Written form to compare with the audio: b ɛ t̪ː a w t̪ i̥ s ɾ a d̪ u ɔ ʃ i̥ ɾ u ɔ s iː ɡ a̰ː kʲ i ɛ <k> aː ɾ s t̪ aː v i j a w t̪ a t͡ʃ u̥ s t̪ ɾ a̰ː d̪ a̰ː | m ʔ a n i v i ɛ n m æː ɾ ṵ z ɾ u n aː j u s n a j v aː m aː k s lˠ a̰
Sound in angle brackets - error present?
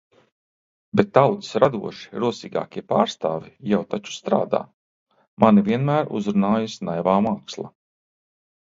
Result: yes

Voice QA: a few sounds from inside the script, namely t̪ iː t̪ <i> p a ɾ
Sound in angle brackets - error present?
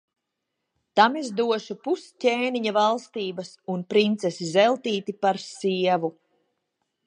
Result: no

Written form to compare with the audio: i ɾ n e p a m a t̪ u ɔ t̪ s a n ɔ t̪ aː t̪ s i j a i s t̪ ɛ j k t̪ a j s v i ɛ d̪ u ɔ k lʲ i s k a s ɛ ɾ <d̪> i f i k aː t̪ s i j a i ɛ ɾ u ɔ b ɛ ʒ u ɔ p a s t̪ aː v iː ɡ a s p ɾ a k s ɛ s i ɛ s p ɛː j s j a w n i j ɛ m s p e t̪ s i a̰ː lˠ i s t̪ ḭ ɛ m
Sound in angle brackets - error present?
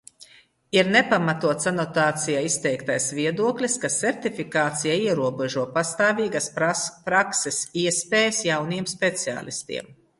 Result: yes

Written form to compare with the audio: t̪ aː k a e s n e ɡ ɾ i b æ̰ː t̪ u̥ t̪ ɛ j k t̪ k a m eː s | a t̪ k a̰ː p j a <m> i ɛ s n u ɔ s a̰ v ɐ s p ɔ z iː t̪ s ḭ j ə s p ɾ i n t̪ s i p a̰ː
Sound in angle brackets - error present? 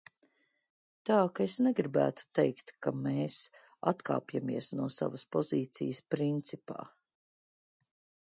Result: no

